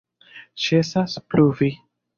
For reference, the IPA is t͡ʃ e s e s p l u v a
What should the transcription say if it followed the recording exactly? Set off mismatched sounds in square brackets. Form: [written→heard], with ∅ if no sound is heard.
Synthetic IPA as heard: t͡ʃ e s [e→a] s p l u v [a→i]